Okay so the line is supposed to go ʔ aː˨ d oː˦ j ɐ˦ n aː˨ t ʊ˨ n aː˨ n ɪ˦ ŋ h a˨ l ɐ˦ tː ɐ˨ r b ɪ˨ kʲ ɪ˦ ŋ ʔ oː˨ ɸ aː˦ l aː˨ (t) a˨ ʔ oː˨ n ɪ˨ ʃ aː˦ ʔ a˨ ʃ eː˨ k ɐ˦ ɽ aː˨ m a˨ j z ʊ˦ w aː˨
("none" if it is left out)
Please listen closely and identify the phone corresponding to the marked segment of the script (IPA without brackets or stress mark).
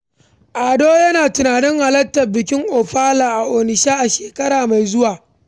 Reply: ʔ